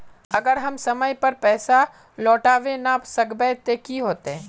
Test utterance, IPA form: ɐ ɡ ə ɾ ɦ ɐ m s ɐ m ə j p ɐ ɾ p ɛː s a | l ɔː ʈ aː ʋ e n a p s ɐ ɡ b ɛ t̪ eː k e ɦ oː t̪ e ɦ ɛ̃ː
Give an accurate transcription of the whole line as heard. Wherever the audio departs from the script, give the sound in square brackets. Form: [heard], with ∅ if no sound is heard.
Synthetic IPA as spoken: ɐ ɡ ə ɾ ɦ ɐ m s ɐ m ə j p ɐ ɾ p ɛː s a | l ɔː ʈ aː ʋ e n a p s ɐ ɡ b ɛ t̪ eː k [i] ɦ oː t̪ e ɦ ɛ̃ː